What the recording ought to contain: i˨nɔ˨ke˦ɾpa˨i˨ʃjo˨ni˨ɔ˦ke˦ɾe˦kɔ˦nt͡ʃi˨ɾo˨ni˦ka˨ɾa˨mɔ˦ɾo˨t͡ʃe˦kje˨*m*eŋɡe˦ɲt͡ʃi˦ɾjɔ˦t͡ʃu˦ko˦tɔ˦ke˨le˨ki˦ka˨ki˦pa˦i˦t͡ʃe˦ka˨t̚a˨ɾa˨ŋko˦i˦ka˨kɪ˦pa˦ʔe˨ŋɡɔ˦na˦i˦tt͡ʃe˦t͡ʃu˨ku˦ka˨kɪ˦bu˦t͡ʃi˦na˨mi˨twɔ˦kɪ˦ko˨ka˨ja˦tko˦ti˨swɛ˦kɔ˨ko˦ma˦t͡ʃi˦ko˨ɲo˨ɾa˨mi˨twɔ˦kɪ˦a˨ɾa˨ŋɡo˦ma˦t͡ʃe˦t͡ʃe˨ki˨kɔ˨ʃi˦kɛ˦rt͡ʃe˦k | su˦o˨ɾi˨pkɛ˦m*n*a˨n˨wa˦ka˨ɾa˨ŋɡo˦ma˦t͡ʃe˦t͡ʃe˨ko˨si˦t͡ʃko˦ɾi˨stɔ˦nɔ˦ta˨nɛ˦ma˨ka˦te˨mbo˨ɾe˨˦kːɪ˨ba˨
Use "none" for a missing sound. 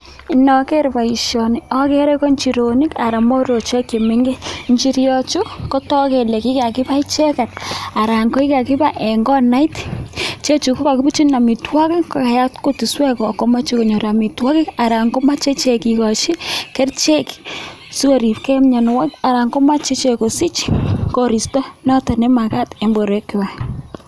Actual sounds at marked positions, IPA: m, ɲ

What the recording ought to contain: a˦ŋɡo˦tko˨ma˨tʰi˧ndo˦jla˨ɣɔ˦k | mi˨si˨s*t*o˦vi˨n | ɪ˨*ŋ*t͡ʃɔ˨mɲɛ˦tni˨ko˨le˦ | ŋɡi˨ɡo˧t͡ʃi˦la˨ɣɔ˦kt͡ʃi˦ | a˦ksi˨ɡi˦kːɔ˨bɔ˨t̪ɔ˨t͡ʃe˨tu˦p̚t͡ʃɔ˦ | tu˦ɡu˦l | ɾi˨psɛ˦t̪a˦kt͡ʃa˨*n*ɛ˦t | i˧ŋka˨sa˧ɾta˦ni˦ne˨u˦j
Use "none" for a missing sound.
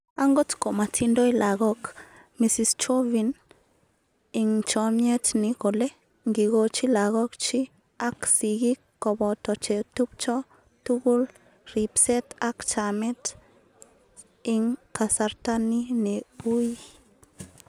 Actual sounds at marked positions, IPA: t͡ʃ, ŋ, m

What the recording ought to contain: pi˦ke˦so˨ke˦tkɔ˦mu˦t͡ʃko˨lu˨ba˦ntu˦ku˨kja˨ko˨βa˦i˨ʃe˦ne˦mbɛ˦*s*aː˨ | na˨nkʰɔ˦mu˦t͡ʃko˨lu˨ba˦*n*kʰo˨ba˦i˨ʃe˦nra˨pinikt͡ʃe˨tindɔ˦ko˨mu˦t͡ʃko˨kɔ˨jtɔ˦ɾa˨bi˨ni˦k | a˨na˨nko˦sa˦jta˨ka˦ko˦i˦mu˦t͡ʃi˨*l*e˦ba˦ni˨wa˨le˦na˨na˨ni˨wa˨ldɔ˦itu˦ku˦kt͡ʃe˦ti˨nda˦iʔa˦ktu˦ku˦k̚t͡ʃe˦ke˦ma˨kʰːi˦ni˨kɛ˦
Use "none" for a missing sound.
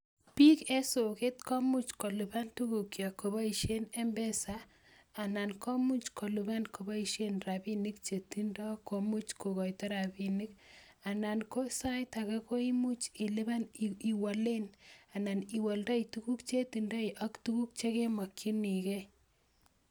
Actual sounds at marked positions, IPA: s, n, l

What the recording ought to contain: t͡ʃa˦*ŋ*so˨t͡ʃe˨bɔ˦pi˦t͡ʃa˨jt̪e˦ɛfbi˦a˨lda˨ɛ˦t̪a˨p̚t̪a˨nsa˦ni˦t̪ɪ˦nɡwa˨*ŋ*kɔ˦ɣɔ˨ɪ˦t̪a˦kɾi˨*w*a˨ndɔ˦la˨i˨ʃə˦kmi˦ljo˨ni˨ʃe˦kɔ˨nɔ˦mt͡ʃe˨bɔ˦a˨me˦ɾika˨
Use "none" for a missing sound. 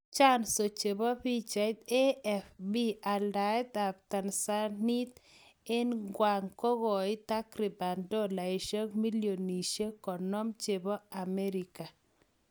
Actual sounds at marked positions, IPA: n, ŋ, b

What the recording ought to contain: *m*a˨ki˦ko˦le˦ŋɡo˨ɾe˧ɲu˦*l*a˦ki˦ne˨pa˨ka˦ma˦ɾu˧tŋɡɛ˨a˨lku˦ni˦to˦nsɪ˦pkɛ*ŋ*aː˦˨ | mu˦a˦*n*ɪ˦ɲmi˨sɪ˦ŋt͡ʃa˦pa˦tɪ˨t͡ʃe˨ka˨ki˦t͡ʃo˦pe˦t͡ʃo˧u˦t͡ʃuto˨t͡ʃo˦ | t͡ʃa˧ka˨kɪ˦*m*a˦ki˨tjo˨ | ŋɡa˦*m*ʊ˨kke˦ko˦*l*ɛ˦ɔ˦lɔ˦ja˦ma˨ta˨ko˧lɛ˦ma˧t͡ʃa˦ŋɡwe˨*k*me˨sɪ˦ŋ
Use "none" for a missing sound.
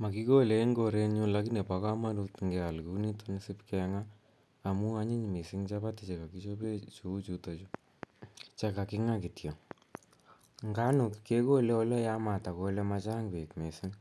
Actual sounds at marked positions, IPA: m, l, ŋ, ɲ, ŋ, n, l, k

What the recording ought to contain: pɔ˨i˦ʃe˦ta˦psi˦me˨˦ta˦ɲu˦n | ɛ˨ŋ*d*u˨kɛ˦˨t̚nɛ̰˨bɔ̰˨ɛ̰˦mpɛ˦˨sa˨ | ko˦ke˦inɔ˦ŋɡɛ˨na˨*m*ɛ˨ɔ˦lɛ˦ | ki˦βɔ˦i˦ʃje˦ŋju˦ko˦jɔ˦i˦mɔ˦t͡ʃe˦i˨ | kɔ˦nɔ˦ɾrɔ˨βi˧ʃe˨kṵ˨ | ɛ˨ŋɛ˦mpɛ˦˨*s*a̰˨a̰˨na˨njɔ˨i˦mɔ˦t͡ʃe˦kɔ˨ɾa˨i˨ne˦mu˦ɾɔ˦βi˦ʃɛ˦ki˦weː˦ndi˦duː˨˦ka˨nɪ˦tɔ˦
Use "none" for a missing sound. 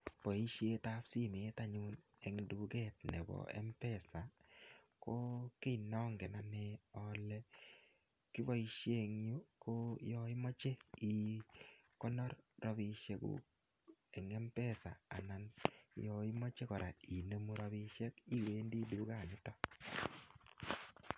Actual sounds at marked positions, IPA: d, n, s

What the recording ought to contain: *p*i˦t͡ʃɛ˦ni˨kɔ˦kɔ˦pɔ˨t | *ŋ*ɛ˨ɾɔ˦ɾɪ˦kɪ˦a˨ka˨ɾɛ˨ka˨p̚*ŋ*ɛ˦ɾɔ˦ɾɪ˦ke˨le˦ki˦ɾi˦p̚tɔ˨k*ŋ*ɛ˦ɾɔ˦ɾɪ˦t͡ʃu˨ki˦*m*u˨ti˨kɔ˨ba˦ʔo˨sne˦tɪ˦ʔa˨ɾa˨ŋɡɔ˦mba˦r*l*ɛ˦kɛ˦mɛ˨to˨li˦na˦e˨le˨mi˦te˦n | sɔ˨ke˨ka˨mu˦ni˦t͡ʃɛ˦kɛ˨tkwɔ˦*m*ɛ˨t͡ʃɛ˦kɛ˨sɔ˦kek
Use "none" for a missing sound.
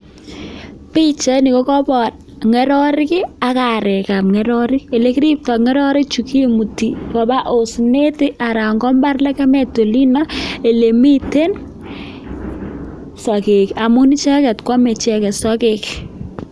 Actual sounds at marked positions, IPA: p, ŋ, ŋ, ŋ, m, l, m

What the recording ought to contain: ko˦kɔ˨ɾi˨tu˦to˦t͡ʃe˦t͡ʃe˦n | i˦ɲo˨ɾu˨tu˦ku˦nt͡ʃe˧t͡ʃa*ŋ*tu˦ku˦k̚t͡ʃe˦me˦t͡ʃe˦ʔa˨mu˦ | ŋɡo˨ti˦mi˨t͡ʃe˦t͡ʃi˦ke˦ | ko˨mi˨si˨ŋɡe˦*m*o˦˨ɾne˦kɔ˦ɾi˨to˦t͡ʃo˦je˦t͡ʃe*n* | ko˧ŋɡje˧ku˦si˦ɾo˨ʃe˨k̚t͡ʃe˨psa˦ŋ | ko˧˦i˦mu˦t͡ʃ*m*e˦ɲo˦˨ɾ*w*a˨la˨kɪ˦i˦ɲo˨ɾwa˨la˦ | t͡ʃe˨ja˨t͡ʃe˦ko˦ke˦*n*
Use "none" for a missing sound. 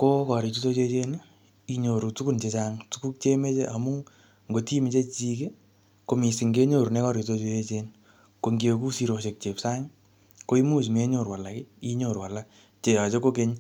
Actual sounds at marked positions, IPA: ŋ, ɲ, n, m, w, ɲ

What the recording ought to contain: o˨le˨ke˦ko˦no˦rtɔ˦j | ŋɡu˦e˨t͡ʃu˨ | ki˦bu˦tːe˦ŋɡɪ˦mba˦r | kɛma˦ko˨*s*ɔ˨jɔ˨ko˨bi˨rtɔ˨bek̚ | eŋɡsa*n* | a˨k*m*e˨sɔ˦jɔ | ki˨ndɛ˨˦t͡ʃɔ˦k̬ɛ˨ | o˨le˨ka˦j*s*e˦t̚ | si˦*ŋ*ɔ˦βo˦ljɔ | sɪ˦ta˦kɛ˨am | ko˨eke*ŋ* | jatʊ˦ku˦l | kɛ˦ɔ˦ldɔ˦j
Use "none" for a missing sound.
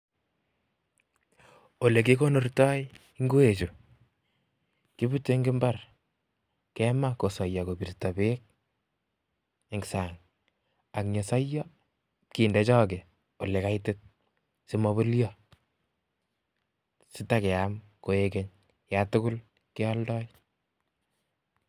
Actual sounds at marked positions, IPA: s, ŋ, ɲ, t, m, ɲ

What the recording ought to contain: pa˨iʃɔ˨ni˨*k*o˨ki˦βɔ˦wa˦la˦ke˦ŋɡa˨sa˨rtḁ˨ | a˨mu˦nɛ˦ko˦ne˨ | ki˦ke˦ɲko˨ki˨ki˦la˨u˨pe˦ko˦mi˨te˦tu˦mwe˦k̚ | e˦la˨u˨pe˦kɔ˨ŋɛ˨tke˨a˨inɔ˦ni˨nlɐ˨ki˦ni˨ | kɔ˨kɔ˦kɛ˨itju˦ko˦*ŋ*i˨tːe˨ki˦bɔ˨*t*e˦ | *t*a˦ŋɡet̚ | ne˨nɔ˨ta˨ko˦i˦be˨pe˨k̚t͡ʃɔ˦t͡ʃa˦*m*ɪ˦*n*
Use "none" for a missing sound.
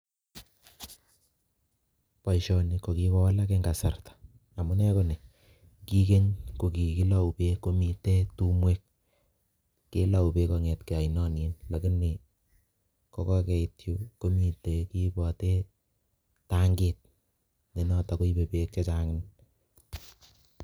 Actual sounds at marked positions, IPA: k, m, t, t, ŋ, n

